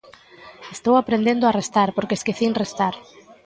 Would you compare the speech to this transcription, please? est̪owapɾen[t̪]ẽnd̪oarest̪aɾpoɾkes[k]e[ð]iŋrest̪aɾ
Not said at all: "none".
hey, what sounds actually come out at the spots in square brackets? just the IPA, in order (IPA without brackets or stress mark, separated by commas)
d̪, k, θ